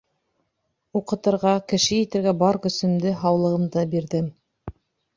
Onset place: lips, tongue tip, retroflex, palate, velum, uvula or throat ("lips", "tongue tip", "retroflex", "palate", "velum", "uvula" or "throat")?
uvula